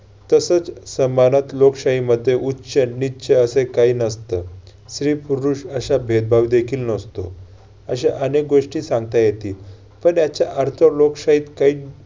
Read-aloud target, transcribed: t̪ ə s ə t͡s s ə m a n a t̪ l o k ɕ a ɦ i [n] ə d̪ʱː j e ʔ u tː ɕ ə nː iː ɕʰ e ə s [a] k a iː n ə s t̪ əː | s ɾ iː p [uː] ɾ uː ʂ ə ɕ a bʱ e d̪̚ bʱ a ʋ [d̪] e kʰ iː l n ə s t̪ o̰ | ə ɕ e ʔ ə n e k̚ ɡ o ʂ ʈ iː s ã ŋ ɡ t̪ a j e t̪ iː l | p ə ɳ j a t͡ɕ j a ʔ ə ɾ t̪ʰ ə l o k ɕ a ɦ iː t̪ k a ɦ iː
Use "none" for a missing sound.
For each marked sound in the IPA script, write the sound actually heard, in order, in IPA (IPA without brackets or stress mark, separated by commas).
m, e, u, d̪